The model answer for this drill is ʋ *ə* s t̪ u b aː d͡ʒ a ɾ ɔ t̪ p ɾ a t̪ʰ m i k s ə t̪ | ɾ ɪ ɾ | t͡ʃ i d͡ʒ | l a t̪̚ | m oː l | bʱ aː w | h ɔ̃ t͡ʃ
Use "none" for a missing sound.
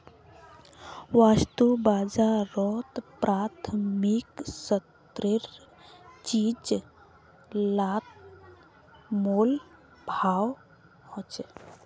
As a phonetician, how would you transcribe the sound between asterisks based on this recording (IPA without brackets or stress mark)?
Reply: a